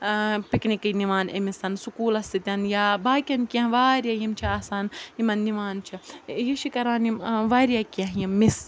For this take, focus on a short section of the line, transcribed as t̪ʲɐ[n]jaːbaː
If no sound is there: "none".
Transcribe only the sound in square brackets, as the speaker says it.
n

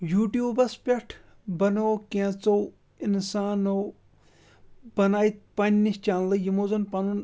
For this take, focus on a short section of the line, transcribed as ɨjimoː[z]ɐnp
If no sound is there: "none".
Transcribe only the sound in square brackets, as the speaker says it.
z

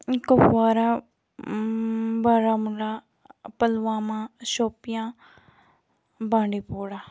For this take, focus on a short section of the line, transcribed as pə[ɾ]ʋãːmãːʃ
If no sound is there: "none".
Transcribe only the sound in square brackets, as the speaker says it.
l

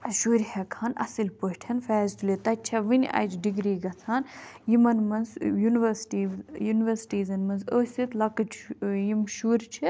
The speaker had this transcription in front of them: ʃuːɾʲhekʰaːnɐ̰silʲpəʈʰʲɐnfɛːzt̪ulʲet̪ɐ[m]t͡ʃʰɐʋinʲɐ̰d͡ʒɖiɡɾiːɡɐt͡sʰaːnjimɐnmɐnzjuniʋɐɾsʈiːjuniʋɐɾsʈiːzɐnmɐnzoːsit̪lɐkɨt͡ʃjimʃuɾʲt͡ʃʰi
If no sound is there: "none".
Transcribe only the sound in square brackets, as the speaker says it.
none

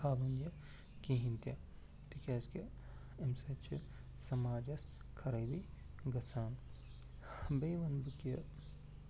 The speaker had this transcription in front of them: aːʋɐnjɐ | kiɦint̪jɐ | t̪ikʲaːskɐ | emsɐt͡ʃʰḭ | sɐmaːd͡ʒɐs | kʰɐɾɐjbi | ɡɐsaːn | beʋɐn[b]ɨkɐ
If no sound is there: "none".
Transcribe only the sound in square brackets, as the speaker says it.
b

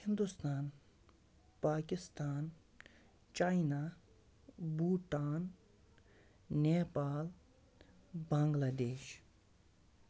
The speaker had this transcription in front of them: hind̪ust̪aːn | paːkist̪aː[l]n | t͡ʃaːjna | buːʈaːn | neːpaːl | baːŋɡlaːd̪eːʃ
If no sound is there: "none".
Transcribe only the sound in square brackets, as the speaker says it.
none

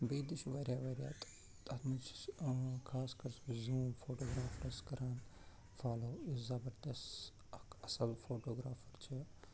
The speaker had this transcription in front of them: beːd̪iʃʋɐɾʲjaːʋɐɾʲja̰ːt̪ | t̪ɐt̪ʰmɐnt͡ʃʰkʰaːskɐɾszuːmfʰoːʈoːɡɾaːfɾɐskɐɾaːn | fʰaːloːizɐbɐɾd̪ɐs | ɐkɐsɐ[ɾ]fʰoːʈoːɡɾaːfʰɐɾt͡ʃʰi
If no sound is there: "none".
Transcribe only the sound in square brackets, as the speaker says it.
l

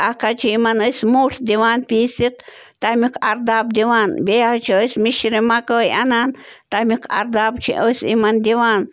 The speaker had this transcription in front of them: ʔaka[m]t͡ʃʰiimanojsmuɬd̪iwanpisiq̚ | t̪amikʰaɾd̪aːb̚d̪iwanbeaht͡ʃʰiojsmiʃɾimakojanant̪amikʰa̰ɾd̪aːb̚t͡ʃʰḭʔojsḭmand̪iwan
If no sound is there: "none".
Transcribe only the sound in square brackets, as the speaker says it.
none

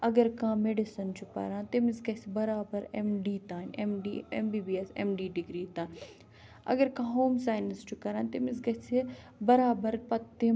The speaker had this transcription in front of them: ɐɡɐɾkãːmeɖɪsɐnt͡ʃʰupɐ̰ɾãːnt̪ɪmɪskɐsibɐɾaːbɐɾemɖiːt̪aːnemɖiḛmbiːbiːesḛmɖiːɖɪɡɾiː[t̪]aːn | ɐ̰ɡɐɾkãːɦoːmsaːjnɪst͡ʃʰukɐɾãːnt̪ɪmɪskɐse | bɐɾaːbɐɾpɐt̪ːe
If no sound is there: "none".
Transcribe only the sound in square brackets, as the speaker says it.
t̪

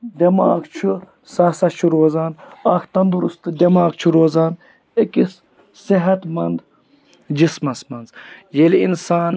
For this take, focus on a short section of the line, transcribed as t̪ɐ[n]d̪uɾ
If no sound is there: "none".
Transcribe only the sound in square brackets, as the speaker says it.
n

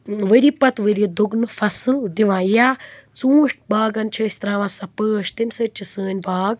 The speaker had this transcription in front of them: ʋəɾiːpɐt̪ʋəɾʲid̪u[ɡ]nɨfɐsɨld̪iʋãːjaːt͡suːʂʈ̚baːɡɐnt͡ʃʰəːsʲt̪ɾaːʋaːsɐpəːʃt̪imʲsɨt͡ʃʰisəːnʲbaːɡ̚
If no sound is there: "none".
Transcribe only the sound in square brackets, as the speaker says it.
ɡ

